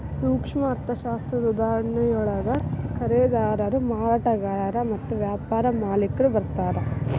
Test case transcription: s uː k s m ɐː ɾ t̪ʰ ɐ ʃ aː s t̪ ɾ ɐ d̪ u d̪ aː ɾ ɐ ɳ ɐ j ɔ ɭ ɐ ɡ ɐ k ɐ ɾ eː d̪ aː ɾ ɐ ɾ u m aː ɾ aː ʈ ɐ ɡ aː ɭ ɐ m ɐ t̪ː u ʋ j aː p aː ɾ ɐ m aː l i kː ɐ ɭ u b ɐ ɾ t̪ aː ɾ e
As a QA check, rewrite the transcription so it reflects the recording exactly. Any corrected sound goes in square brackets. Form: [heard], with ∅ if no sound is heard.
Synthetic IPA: s uː k [ʂ] m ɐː ɾ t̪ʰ ɐ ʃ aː s t̪ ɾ ɐ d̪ u d̪ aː ɾ ɐ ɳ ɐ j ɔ ɭ ɐ ɡ ɐ k ɐ ɾ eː d̪ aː ɾ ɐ ɾ u m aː ɾ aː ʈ ɐ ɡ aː [ɾ] ɐ m ɐ t̪ː u ʋ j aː p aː ɾ ɐ m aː l i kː ɐ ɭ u b ɐ ɾ t̪ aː ɾ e